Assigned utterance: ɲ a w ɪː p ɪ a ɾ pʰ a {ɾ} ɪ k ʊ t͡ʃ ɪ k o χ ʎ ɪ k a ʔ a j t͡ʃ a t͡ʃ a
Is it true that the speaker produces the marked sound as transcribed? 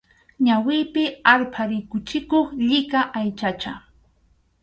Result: yes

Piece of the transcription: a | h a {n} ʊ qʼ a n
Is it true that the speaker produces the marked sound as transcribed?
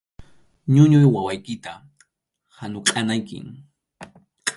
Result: yes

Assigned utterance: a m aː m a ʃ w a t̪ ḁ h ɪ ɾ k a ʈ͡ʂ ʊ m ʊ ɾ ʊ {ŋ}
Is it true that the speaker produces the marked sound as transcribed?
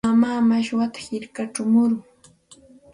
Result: yes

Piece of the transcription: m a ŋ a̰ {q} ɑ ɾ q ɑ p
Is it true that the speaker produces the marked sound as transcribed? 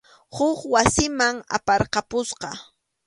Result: no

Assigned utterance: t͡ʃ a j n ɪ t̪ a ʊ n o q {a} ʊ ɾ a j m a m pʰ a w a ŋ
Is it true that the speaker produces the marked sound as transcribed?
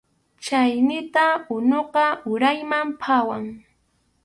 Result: no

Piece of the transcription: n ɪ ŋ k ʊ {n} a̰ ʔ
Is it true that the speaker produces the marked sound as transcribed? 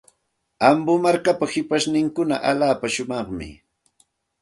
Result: yes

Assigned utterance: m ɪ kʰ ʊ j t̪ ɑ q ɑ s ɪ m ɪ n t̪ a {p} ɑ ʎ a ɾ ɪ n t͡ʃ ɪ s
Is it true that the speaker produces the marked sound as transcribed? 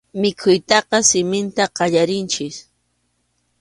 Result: no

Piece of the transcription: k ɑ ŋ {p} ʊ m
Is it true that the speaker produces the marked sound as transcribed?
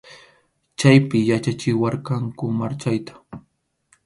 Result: no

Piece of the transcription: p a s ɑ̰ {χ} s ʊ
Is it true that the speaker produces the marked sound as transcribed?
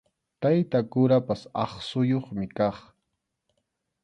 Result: yes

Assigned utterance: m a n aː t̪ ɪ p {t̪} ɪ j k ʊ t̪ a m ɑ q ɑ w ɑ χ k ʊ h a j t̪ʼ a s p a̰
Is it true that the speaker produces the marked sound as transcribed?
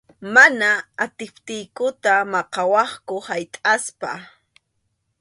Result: yes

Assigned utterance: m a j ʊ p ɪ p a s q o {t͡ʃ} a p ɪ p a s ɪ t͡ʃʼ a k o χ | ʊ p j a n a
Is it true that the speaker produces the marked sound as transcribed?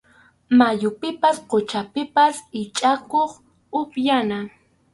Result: yes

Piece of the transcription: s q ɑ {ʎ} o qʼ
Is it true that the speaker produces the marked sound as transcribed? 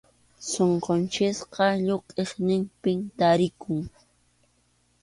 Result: yes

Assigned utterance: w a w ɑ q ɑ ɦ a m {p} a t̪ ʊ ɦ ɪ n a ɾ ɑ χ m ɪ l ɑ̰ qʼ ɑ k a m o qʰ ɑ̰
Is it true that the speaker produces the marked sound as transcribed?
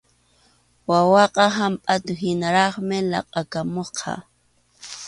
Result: no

